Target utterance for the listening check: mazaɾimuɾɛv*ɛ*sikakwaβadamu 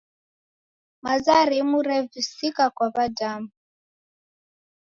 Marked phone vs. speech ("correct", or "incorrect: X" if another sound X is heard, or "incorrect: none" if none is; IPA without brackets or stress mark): incorrect: i